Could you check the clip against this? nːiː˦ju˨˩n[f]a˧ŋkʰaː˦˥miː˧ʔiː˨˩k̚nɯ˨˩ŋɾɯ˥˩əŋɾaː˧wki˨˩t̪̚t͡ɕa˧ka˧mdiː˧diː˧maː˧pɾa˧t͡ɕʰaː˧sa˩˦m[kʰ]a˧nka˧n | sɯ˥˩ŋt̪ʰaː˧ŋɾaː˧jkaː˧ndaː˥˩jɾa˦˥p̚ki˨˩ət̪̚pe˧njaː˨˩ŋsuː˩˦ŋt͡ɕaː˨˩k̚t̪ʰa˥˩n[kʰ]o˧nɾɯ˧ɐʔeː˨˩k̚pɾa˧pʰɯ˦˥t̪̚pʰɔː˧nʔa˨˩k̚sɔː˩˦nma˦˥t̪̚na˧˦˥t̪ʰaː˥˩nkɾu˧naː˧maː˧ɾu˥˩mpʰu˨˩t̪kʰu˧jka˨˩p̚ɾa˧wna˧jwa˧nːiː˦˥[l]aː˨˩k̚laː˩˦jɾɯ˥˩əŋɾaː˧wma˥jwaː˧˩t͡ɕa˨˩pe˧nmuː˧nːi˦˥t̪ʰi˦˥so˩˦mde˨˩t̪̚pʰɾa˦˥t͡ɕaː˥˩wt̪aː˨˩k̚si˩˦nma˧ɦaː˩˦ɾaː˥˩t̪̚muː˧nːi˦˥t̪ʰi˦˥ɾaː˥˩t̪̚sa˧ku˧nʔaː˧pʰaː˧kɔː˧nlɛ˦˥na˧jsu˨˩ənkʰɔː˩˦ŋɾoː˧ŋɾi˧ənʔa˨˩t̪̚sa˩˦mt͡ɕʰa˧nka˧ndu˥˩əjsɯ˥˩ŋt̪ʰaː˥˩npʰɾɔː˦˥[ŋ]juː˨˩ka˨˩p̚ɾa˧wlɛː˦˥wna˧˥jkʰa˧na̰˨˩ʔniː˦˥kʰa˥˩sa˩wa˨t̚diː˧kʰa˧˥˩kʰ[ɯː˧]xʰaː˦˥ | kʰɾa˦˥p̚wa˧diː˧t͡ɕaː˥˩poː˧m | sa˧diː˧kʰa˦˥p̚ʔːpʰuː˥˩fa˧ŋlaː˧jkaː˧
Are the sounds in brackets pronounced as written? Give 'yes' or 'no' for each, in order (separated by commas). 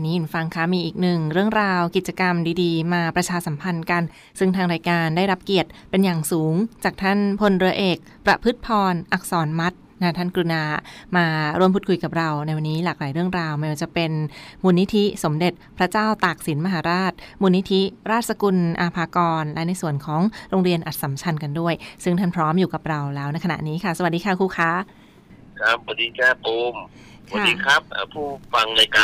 yes, no, no, yes, no, no